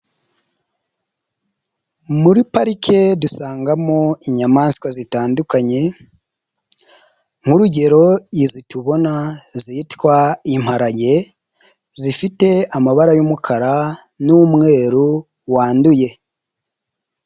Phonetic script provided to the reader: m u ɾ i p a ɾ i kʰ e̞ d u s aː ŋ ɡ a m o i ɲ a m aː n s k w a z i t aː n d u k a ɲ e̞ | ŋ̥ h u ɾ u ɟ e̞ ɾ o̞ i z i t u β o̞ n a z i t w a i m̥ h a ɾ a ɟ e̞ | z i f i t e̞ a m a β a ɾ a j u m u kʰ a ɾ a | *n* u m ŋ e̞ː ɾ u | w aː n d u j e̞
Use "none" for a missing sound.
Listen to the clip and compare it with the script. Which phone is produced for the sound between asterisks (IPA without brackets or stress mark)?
n